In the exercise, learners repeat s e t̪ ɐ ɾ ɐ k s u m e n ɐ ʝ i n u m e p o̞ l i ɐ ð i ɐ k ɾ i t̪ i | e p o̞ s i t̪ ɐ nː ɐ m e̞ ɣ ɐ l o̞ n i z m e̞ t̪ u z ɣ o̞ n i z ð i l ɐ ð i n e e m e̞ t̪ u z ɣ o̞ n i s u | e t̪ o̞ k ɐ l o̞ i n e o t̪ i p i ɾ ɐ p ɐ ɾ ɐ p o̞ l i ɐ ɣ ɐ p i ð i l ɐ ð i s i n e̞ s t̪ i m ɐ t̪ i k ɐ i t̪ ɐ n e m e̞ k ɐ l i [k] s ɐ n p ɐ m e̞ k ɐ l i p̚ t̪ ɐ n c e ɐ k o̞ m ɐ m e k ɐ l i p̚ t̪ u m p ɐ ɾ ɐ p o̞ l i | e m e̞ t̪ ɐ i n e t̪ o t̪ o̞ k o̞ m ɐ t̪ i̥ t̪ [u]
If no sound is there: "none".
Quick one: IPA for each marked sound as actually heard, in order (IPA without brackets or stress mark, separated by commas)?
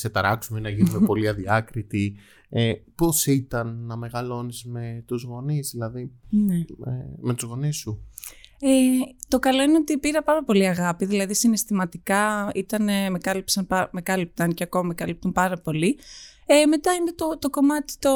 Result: p, o